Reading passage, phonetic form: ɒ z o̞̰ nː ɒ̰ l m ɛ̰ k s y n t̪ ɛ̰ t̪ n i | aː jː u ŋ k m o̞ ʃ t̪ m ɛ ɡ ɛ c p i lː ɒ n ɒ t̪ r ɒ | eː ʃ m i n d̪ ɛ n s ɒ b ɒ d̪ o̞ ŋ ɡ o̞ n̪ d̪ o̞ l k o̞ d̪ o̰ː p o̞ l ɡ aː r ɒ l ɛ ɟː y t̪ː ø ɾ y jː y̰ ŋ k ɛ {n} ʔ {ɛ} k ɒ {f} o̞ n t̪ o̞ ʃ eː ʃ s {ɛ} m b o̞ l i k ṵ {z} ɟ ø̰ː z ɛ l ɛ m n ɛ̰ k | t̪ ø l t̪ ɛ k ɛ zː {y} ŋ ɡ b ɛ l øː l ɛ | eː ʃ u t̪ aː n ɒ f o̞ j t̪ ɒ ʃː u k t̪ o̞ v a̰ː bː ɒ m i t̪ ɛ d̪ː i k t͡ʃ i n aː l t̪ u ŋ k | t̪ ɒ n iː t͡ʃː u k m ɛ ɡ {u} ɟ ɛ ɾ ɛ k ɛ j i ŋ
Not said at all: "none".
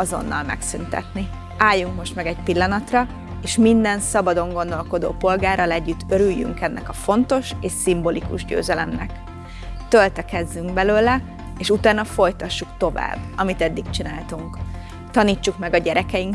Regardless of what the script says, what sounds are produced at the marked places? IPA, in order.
nː, ɛ, f, i, ʒ, y, ɒ

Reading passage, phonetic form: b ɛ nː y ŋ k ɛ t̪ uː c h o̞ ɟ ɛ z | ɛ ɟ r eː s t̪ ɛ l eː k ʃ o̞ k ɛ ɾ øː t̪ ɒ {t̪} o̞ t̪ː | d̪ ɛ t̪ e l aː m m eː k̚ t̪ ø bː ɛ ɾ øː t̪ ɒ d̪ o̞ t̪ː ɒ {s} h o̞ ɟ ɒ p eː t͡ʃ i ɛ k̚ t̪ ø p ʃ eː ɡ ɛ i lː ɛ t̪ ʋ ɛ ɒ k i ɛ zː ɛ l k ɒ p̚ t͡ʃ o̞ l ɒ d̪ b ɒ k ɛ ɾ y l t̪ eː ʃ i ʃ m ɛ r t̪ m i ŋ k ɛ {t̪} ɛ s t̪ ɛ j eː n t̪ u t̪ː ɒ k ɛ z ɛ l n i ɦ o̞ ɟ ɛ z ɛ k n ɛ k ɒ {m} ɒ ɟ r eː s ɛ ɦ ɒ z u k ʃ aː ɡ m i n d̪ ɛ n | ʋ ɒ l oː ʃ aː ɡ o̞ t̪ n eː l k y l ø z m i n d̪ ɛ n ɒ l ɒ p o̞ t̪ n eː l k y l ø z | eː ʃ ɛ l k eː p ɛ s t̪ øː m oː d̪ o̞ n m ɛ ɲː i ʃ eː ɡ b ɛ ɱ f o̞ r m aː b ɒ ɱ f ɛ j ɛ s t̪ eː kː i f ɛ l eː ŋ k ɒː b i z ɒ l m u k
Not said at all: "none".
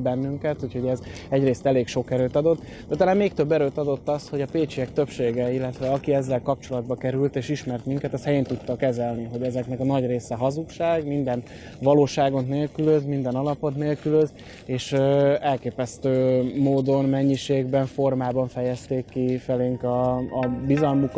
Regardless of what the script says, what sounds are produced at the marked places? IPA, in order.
d̪, s, t̪, n

